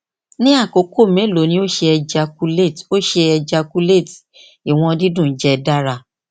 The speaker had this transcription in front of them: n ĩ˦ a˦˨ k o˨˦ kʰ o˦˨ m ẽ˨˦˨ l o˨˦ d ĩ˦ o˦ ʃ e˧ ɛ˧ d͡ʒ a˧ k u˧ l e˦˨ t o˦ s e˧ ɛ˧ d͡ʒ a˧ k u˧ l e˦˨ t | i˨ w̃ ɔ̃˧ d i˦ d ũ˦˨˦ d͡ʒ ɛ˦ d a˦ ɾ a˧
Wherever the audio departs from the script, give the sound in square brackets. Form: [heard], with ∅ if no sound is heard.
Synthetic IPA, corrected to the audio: n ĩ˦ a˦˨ k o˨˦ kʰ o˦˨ m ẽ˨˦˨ l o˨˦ [n] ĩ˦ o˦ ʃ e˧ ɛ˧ d͡ʒ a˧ k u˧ l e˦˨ t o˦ [ʃ] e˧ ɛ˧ d͡ʒ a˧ k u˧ l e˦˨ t | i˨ w̃ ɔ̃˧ d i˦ d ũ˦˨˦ d͡ʒ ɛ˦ d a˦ ɾ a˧